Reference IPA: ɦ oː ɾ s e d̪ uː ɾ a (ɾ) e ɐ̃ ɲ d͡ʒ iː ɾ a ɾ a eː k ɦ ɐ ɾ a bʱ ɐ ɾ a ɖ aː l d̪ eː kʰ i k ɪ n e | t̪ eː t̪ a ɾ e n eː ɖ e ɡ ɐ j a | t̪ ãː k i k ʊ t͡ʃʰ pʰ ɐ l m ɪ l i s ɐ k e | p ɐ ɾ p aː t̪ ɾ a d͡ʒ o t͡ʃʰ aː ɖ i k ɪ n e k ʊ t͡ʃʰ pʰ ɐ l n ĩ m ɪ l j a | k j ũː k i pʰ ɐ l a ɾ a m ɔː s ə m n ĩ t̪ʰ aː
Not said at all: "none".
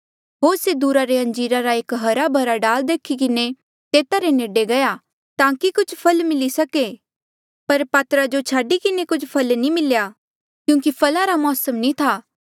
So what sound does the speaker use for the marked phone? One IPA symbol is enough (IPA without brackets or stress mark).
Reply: ɾ